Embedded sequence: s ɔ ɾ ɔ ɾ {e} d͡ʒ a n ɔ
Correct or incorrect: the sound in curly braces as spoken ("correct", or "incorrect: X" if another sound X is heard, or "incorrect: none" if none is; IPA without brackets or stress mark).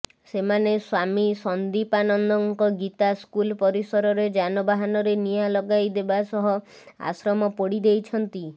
correct